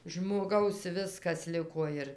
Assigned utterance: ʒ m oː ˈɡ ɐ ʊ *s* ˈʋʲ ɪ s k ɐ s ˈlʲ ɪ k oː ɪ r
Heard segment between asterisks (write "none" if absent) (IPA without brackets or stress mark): s